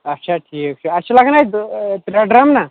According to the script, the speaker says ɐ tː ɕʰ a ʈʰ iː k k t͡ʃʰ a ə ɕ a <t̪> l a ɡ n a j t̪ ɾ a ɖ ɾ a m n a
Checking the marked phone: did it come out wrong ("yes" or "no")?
yes